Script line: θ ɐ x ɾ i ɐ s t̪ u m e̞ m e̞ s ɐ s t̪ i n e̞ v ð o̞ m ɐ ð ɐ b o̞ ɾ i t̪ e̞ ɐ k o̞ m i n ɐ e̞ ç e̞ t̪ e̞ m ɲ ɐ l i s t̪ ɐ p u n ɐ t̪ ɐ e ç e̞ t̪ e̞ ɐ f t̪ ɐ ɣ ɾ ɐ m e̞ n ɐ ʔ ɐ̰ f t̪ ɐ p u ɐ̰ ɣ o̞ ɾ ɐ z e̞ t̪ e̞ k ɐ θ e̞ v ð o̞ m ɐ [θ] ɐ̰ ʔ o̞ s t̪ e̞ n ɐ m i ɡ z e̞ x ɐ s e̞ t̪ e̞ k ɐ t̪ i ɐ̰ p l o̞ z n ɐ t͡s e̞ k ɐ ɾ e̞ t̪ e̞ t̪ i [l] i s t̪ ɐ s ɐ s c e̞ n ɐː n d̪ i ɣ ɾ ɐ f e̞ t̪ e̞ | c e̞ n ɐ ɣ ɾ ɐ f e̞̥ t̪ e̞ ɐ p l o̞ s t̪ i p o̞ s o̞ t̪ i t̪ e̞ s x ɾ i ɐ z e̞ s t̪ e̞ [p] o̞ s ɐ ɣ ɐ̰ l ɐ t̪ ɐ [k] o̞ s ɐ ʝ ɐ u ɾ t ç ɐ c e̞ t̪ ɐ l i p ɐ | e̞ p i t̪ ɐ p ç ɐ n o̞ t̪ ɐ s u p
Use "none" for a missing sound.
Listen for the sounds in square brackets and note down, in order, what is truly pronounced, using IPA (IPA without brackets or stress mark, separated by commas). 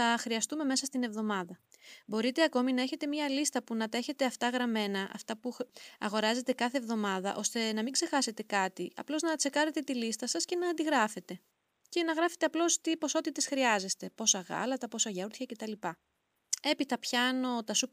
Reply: ð, l, p, p